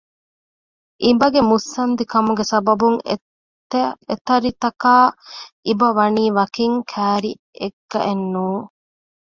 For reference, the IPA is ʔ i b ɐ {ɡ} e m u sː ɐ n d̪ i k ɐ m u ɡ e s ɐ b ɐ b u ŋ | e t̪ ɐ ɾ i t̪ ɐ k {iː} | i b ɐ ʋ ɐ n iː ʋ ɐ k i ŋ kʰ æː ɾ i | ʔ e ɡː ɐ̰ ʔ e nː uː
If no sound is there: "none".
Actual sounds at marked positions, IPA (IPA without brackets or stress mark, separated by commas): ɡ, aː